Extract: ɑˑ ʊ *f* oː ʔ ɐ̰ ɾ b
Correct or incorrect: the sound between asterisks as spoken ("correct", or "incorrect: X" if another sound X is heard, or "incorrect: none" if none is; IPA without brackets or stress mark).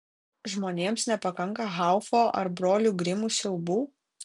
correct